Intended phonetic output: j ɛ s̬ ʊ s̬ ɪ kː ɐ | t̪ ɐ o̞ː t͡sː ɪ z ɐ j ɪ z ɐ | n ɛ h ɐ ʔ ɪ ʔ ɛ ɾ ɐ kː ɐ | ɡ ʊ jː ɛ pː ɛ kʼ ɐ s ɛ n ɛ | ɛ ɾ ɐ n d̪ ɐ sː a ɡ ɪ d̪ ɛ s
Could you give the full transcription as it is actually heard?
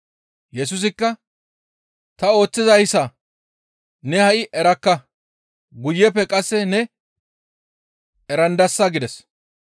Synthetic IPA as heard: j ɛ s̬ ʊ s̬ ɪ kː ɐ | t̪ ɐ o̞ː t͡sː ɪ z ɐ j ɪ s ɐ | n ɛ h ɐ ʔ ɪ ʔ ɛ ɾ ɐ kː ɐ | ɡ ʊ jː ɛ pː ɛ kʼ ɐ sː ɛ n ɛ | ɛ ɾ ɐ n d̪ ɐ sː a ɡ ɪ d̪ ɛ s